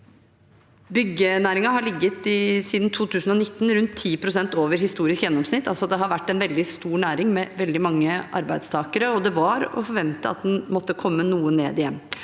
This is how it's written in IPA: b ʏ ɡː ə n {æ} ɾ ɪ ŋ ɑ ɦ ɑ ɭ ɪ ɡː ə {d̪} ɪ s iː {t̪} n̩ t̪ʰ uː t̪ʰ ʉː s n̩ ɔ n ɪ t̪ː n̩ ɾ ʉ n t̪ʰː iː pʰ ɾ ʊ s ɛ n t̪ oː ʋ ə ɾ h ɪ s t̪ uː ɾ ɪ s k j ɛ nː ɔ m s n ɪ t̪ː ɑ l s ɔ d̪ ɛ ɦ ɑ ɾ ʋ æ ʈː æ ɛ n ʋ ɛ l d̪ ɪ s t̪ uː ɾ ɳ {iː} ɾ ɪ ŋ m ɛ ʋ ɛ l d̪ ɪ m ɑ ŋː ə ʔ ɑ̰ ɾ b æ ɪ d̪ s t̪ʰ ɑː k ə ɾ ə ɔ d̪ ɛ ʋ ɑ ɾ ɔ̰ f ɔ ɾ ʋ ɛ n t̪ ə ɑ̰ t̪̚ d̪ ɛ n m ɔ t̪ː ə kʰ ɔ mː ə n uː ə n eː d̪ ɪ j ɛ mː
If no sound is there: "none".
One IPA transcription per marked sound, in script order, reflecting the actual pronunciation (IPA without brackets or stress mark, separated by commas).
æː, t̪, d̪, æː